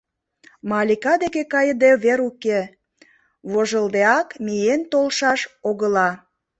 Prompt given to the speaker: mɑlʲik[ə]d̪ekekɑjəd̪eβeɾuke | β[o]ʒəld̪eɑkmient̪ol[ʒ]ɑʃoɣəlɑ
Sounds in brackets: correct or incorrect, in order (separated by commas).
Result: incorrect, correct, incorrect